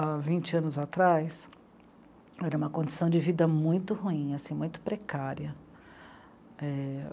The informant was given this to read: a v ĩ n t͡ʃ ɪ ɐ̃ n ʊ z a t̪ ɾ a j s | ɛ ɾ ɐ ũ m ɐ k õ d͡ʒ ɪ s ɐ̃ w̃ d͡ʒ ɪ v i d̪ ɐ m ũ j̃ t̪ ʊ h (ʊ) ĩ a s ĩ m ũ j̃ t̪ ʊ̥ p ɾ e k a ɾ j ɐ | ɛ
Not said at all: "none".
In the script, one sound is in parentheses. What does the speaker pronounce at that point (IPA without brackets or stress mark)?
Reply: u